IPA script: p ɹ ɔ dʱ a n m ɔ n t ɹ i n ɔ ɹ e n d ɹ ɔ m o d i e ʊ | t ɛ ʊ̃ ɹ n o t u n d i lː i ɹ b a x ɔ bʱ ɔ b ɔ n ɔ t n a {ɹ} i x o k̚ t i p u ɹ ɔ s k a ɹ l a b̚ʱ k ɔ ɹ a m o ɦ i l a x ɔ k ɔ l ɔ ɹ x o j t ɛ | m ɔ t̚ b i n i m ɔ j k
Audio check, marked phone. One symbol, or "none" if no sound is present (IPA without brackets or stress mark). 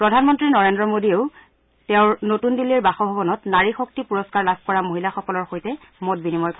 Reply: ɹ